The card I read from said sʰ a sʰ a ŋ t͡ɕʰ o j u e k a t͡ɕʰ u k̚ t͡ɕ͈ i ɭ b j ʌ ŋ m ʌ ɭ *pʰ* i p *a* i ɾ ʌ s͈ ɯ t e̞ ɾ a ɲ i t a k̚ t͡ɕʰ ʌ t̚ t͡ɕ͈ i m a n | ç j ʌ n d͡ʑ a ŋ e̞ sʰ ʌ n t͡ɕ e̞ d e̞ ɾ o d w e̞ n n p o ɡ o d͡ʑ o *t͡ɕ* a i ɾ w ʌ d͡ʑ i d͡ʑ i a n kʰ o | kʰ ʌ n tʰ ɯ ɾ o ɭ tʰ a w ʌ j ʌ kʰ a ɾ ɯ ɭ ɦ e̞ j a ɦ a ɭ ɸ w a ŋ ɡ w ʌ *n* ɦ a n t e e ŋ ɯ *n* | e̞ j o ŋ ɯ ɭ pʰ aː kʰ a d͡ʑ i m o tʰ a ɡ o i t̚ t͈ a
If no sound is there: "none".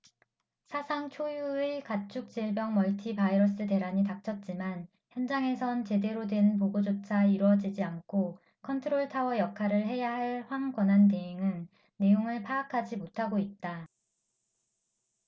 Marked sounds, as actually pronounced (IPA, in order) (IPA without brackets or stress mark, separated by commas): tʰ, a, t͡ɕʰ, n, nː